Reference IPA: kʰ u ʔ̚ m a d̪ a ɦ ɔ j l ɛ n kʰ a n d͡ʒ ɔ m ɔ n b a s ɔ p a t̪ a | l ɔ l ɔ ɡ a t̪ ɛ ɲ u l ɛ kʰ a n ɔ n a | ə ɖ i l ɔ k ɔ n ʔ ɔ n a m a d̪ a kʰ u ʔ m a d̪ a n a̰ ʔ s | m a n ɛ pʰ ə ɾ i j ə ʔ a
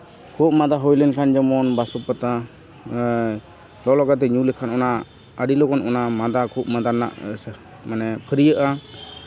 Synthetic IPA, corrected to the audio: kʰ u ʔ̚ m a d̪ a ɦ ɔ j l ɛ n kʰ a n d͡ʒ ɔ m ɔ n b a s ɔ p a t̪ a | l ɔ l ɔ ɡ a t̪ ɛ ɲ u l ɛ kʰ a n ɔ n a | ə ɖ i l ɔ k ɔ n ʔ ɔ n a m a d̪ a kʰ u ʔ m a d̪ a n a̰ ʔ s | m a n ɛ pʰ ə ɾ i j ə ʔ a